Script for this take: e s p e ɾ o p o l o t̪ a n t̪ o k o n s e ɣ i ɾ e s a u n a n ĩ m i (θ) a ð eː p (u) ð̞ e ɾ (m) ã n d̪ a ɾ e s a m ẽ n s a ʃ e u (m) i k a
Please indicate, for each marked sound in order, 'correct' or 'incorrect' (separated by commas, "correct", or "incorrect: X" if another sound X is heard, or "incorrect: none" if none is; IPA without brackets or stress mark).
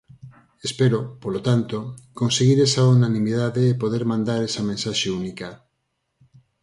incorrect: ð, incorrect: o, correct, incorrect: n